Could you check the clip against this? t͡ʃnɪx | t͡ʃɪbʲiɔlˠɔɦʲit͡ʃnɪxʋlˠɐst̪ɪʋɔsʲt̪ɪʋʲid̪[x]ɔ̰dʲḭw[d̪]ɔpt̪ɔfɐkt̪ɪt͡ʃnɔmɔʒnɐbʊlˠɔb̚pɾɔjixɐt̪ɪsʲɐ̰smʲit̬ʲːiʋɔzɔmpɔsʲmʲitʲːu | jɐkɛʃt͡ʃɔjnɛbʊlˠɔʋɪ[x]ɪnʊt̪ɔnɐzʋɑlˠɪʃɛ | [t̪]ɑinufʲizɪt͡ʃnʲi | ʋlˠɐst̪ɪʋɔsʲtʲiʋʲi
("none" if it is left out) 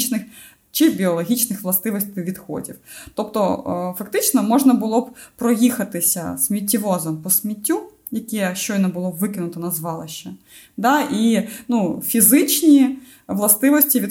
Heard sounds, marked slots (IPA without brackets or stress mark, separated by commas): x, t̪, k, d̪